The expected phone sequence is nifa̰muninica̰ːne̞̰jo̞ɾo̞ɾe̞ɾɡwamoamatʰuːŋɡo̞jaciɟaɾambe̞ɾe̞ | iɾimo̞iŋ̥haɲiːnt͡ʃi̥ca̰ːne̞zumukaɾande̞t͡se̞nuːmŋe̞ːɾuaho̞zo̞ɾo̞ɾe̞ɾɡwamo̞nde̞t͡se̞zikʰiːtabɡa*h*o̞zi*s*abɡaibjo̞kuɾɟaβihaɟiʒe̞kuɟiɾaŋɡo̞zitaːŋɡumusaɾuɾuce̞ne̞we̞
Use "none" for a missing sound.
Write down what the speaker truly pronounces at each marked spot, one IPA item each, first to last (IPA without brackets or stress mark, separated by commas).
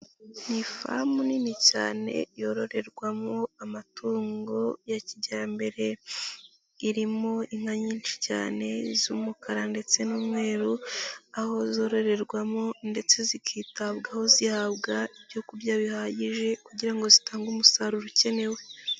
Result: h, h